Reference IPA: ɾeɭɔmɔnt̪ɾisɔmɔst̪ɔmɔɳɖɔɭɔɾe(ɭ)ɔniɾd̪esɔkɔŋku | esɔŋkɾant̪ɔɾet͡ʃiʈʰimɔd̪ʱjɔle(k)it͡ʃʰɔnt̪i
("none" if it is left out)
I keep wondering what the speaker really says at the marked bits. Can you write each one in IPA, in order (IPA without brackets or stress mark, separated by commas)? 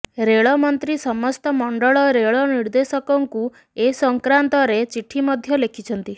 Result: ɭ, kʰ